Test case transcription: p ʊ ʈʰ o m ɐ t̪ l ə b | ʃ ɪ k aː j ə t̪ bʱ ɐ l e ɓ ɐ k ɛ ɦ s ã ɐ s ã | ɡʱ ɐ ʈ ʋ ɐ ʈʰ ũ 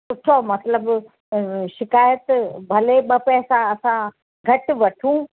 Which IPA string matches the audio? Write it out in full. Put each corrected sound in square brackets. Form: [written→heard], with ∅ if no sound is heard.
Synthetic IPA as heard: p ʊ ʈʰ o m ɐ t̪ l ə b | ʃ ɪ k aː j ə t̪ bʱ ɐ l e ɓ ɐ [k→p] ɛ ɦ s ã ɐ s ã | ɡʱ ɐ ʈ ʋ ɐ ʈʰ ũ